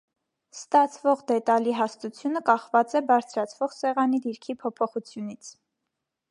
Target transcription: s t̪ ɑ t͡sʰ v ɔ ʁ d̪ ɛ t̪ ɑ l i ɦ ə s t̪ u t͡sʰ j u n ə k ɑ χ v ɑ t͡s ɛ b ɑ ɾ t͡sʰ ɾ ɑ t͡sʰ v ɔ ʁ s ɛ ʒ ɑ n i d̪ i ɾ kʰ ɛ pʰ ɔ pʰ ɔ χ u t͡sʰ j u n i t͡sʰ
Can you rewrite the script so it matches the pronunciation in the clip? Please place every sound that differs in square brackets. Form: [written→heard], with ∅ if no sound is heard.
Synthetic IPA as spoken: s t̪ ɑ t͡sʰ v ɔ ʁ d̪ ɛ t̪ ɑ l i ɦ [ə→ɑ] s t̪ u t͡sʰ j u n ə k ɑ χ v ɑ t͡s ɛ b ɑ ɾ t͡sʰ ɾ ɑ t͡sʰ v ɔ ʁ s ɛ [ʒ→ʁ] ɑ n i d̪ i ɾ kʰ [ɛ→i] pʰ ɔ pʰ ɔ χ u t͡sʰ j u n i t͡sʰ